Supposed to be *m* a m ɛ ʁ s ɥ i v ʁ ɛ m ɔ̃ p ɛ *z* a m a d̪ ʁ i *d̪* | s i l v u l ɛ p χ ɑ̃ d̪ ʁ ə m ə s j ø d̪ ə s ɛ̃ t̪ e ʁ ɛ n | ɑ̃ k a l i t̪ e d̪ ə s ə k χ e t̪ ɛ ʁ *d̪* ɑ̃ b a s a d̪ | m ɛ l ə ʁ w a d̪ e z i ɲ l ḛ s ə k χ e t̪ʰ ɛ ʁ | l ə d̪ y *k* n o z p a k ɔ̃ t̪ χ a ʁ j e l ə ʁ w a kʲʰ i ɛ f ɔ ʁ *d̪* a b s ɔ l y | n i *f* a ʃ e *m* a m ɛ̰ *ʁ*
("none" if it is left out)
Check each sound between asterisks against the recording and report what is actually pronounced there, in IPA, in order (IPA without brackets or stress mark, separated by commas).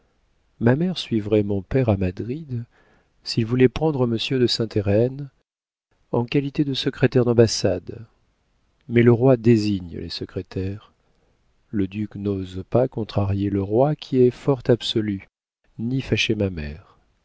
m, ʁ, d̪, d̪, k, t̪, f, m, ʁ